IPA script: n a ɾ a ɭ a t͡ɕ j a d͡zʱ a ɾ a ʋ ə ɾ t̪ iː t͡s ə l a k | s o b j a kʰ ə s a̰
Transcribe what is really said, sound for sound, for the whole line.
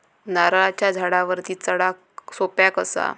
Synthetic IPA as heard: n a ɾ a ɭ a t͡ɕ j a d͡zʱ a ɽ a ʋ ə ɾ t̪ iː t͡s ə ɽ a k | s o p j a k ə s a̰

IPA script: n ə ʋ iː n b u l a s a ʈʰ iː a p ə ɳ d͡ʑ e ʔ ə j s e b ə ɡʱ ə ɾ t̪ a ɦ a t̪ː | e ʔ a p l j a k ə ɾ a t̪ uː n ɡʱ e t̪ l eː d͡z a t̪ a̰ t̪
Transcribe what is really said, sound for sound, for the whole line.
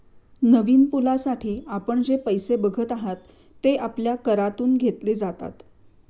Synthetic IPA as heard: n ə ʋ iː n p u l a s a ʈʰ iː a p ə ɳ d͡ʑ e p ə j s e b ə ɡʱ ə t̪ a ɦ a t̪ː | e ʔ a p l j a k ə ɾ a t̪ uː n ɡʱ e t̪ l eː d͡z a t̪ a̰ t̪

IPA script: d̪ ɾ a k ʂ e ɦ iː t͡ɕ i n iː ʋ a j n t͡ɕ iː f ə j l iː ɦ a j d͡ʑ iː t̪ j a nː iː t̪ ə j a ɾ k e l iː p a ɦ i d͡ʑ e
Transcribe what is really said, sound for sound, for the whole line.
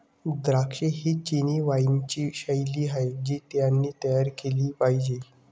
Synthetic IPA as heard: d̪ ɾ a k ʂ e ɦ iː t͡ɕ i n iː ʋ a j n t͡ɕ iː ɕ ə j l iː ɦ a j d͡ʑ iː t̪ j a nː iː t̪ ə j a ɾ k e l iː p a ɦ i d͡ʑ e

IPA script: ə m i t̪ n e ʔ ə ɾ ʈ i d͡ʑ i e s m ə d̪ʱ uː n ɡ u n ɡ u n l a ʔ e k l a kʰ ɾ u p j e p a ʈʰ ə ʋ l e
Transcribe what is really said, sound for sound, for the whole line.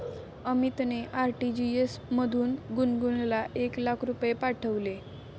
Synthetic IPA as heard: ə m i t̪ n e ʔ a ɾ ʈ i d͡ʑ i e s m ə d̪ʱ uː n ɡ u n ɡ u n l a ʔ e k l a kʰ ɾ u p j e p a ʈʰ ə ʋ l e

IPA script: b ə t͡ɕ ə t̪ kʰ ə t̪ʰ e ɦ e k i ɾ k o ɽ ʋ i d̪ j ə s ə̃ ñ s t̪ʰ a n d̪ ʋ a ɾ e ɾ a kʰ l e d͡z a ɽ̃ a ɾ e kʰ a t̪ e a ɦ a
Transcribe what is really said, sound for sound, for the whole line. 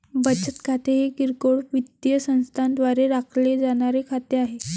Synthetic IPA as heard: b ə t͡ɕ ə t̪ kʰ a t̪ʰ e ɦ e k i ɾ k o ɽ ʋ i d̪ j ə s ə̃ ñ s t̪ʰ a n d̪ ʋ a ɾ e ɾ a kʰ l e d͡z a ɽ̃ a ɾ e kʰ a t̪ e a ɦ e

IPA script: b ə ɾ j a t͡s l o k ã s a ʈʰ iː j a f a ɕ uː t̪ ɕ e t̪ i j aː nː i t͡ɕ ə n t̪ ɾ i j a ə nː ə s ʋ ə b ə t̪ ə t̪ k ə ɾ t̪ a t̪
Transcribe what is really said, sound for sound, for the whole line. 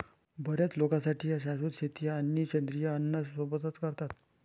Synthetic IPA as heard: b ə ɾ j a t͡s l o k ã s a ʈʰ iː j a ɕ a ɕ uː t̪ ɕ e t̪ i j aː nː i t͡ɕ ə n d̪ ɾ i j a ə nː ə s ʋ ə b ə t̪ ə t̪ k ə ɾ t̪ a t̪

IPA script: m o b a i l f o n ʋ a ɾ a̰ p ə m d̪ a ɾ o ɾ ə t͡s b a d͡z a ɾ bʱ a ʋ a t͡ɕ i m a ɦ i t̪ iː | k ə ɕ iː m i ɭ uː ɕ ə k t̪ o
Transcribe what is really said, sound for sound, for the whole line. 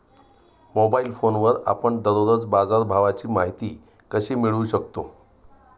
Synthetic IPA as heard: m o b a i l f o n ʋ ə ɾ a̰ p ə ɳ d̪ ə ɾ o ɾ ə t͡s b a d͡z a ɾ bʱ a ʋ a t͡ɕ iː m a ɦ i t̪ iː | k ə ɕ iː m i ɭ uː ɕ ə k t̪ o

